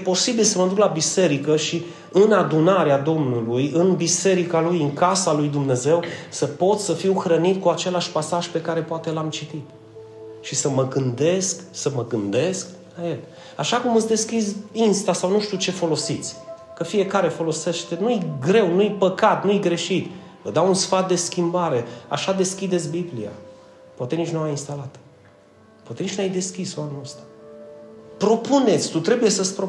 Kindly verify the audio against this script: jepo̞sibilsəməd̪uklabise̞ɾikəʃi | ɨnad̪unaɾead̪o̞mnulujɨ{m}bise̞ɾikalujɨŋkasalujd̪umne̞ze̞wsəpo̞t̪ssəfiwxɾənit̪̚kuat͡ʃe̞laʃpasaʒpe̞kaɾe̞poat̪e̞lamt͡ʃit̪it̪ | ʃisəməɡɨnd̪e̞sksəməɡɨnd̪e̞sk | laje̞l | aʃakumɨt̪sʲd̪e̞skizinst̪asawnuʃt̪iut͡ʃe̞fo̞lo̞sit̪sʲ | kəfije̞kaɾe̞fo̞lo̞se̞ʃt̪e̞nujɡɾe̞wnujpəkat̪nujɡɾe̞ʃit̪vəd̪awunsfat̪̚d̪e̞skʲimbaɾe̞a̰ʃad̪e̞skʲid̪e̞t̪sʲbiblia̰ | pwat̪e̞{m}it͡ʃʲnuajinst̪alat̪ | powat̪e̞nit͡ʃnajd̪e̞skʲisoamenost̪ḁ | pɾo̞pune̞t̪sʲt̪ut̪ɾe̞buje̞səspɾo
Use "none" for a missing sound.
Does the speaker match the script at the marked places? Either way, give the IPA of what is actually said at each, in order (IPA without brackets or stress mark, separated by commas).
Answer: n, n